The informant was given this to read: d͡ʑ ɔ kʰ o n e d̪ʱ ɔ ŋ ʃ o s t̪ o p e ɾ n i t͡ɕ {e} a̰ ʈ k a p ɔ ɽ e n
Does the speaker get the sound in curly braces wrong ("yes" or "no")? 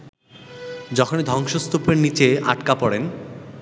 no